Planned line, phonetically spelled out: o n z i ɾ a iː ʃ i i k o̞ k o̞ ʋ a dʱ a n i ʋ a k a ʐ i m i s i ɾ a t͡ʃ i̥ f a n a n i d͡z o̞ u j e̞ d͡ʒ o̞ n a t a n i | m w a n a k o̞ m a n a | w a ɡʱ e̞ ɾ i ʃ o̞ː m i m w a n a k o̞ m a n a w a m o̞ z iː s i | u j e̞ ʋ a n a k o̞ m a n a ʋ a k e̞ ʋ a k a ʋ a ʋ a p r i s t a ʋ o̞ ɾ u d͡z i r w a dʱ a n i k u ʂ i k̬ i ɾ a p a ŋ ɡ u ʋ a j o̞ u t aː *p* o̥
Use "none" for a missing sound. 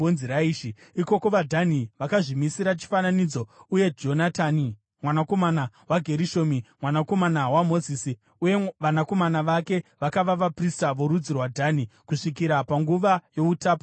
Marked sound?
p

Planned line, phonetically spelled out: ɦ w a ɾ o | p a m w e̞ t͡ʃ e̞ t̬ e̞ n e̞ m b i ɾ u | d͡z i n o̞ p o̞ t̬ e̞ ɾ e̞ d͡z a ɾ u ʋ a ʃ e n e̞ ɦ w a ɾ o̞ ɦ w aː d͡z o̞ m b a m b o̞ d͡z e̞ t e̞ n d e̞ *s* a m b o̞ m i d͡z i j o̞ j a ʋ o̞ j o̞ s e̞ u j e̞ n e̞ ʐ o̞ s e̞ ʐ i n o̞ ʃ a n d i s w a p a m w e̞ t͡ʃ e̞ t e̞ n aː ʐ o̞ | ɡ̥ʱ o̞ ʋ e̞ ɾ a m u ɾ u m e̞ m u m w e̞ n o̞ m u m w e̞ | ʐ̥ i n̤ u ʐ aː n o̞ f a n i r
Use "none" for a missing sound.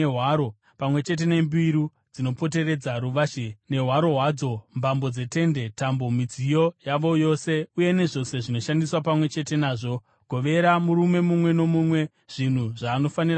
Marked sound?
t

